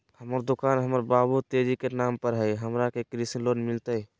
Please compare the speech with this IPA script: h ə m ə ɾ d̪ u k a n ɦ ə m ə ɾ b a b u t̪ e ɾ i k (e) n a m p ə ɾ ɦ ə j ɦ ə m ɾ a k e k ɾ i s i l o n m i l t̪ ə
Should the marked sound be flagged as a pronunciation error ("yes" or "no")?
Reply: no